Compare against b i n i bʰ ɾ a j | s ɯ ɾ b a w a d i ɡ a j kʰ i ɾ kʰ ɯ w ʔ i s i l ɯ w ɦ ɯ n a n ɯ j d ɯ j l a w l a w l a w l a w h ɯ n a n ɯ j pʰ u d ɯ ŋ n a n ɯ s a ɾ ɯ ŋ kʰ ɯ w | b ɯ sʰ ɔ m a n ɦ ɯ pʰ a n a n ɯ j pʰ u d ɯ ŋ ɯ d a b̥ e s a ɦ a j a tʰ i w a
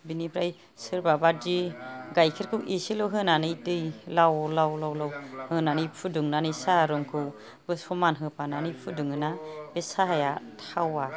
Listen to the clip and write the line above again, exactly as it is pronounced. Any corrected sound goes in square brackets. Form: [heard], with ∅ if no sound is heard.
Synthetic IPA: b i n i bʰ ɾ a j | s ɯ ɾ b a [b] a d i ɡ a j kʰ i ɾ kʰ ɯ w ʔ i s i l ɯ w ɦ ɯ n a n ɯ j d ɯ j l a w l a w l a w l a w h ɯ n a n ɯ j pʰ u d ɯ ŋ n a n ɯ s a ɾ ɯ ŋ kʰ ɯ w | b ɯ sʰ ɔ m a n ɦ ɯ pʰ a n a n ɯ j pʰ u d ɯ ŋ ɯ [n] a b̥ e s a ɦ a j a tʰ [a] w a